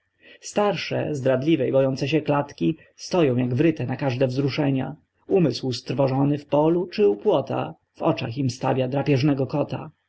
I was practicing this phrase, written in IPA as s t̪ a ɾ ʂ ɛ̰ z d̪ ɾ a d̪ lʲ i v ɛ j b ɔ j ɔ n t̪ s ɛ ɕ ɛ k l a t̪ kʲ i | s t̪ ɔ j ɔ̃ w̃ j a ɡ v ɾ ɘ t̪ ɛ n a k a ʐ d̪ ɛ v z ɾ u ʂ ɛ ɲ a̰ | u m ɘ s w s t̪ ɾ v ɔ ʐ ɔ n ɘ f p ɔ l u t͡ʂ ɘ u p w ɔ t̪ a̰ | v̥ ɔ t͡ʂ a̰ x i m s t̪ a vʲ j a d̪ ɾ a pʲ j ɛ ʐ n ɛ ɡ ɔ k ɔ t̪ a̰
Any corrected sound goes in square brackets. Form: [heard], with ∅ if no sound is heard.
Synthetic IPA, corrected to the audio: s t̪ a ɾ ʂ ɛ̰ z d̪ ɾ a d̪ lʲ i v ɛ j b ɔ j ɔ n t̪ s ɛ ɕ ɛ k l a t̪ kʲ i | s t̪ ɔ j ɔ̃ w̃ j a ɡ v ɾ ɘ t̪ ɛ n a k a ʐ d̪ ɛ v z ɾ u ʂ ɛ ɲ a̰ | u m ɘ s w s t̪ ɾ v ɔ ʐ ɔ n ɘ f p ɔ l u t͡ʂ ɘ u p w ɔ t̪ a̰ | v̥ ɔ t͡ʂ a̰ x i m s t̪ a vʲ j a d̪ ɾ a pʲ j ɛ ʐ n ɛ ɡ ɔ k ɔ t̪ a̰